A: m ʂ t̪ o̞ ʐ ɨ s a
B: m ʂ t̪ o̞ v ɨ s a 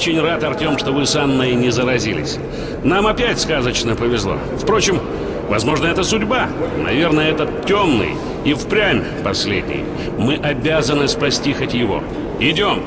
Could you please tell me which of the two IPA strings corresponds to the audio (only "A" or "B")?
B